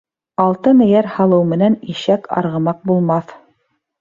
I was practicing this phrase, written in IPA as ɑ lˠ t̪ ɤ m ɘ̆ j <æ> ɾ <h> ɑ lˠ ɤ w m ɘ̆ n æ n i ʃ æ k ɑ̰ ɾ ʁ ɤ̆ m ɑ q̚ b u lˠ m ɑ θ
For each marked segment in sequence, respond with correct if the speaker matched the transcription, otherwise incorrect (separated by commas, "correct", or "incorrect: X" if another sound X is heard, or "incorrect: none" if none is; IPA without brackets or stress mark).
correct, correct